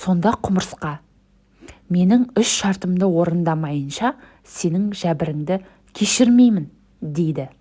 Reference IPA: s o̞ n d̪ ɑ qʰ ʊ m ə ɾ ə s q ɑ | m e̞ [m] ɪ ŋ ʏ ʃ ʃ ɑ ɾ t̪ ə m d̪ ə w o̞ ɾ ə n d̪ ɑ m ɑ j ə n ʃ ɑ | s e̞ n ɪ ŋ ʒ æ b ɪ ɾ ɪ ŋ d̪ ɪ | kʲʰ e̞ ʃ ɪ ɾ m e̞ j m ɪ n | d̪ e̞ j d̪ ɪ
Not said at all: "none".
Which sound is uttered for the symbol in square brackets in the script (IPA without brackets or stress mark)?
n